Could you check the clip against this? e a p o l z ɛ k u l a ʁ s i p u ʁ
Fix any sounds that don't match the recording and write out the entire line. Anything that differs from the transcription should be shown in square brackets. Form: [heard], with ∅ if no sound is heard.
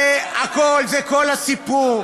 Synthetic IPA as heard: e a [k] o l z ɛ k [o] l a [∅] s i p u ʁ

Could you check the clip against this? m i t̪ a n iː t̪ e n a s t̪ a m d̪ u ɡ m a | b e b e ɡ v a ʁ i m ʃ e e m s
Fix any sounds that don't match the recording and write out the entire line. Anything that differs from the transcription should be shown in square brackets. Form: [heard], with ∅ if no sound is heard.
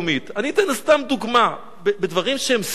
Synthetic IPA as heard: m i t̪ a n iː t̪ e n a s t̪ a m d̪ u ɡ m a | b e b e [d] v a ʁ i m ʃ e e m s

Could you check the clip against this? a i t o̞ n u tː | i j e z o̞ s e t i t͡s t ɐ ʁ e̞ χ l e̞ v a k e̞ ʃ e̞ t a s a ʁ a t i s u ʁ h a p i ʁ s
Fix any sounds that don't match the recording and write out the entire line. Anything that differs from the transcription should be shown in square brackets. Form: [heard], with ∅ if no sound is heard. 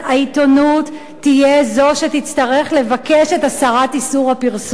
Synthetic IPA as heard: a i t o̞ n u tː | i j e z o̞ [ʃ] e t i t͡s t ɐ ʁ e̞ χ l e̞ v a k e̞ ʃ e̞ t a s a ʁ a t i s u ʁ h a p i ʁ s

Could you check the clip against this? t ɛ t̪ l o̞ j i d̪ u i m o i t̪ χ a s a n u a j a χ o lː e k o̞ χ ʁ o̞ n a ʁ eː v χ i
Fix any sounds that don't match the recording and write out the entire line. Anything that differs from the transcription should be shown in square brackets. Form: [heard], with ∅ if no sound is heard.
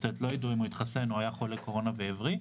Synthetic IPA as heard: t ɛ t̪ l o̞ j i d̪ u i m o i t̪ χ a s [e] n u a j a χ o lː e k o̞ [∅] ʁ o̞ n a [v] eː v [ʁ] i

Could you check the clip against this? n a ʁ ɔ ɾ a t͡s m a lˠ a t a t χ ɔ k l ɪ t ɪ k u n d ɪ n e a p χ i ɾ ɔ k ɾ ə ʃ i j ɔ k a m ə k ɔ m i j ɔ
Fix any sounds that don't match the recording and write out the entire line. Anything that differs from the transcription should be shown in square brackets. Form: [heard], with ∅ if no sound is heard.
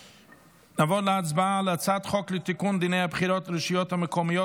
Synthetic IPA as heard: n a [v] ɔ [l] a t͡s [b] a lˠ a [t͡s] a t χ ɔ k l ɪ t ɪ k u n d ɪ n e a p χ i ɾ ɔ [t] ɾ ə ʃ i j ɔ [t] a m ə k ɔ m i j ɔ

